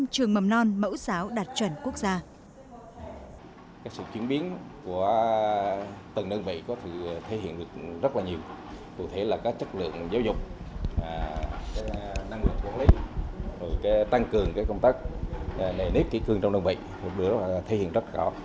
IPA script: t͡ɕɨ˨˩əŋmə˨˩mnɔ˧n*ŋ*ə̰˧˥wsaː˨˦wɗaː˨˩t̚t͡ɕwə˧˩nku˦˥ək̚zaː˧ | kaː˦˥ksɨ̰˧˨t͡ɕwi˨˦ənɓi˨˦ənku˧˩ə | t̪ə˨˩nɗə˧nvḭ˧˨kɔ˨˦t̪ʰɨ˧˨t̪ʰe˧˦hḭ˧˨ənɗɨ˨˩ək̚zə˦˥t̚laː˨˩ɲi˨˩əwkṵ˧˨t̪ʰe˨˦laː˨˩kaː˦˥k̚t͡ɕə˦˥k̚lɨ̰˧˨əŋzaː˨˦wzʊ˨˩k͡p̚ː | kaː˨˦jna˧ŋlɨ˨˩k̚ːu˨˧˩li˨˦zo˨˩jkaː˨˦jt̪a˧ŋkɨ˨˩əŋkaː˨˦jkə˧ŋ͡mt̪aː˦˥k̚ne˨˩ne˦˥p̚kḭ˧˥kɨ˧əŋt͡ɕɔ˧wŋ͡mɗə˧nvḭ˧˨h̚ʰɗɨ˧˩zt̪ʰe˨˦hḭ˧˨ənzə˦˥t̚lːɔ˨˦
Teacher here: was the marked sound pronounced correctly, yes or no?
no